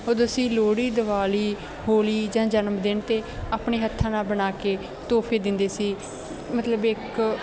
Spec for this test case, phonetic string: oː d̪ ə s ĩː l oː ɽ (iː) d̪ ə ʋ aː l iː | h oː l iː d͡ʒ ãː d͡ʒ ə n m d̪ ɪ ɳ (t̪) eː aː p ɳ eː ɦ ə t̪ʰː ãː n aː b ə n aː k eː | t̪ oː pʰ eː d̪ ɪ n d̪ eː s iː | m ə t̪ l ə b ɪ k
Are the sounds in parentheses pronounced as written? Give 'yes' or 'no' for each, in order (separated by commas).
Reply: yes, yes